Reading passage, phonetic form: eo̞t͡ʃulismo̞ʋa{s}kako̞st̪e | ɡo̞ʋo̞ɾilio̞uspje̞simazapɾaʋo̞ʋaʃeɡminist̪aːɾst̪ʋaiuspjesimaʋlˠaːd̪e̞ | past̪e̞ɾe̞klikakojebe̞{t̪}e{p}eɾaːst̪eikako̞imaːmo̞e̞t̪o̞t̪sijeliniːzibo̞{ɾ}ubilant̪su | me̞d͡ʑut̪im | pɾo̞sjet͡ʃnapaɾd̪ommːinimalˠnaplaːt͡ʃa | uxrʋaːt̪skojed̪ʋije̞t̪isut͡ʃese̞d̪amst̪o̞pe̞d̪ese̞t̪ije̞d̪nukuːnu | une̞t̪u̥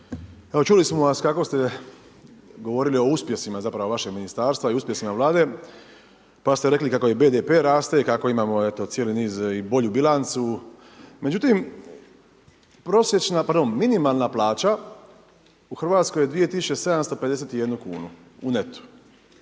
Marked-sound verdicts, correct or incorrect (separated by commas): correct, incorrect, correct, incorrect